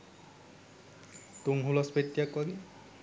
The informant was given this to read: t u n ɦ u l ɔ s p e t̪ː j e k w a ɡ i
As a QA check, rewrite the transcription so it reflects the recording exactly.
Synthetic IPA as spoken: t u ŋ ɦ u l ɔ s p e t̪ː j a k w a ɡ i